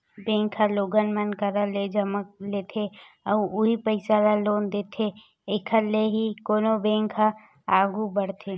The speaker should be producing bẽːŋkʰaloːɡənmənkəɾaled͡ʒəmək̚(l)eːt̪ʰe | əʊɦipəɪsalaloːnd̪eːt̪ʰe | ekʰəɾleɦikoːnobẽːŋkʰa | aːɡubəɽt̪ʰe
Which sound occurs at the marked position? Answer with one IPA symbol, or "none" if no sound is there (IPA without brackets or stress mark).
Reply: l